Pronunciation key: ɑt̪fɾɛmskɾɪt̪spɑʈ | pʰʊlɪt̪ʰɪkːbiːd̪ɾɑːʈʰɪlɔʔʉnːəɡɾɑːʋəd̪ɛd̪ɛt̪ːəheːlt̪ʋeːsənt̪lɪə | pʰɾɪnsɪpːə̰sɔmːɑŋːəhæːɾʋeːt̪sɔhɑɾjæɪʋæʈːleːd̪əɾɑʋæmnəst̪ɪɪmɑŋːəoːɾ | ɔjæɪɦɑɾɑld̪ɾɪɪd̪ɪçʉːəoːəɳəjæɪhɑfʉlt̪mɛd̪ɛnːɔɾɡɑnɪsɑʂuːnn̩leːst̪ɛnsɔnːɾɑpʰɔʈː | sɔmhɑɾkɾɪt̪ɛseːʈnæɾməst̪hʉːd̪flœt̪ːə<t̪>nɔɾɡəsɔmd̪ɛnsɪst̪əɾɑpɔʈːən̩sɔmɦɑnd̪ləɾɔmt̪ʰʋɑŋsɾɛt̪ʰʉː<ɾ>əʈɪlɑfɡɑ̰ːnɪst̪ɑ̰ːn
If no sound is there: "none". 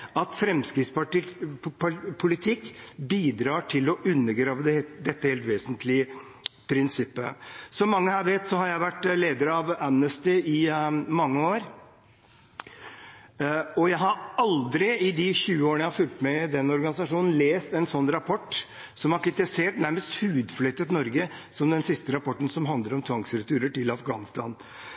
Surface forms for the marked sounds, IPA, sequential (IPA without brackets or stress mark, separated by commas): t̪, ɾ